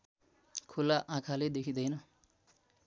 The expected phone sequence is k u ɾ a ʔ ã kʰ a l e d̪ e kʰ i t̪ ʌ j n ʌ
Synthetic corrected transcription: kʰ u l a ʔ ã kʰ a l e d̪ e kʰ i d̪ ʌ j n ʌ